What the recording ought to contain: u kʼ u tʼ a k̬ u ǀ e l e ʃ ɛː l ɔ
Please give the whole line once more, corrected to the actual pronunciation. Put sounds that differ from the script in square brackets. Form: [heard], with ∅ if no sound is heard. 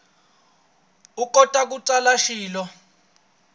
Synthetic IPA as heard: u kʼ [ɔ] tʼ a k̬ u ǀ [a] l [a] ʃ [iː] l ɔ